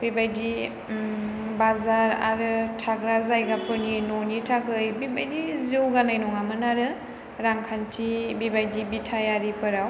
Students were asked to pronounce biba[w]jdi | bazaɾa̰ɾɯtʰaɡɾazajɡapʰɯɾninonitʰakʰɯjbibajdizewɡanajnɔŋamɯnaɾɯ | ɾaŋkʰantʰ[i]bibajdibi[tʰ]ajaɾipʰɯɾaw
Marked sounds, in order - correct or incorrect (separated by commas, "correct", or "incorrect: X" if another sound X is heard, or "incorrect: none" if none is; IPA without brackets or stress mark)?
incorrect: none, correct, correct